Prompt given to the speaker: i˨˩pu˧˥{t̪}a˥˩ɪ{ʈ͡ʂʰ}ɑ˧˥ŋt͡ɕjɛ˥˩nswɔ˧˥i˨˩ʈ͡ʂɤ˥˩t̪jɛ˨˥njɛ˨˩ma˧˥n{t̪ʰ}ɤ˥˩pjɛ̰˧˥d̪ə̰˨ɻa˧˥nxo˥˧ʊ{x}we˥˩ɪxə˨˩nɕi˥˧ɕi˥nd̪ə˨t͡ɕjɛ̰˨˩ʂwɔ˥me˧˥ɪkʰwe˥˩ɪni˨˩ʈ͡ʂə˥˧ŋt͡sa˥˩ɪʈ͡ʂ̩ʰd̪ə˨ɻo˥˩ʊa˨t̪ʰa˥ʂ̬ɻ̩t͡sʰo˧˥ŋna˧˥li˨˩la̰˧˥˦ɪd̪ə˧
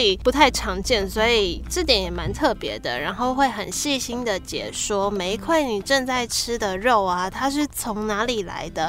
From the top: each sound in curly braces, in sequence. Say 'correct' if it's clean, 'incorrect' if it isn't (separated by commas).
incorrect, correct, correct, correct